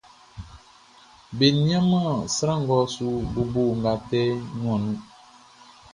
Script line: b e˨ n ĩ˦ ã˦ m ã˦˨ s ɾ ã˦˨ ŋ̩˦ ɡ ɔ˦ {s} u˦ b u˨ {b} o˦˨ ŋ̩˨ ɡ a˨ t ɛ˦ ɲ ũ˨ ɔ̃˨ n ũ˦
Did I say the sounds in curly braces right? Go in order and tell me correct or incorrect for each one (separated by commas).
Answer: correct, correct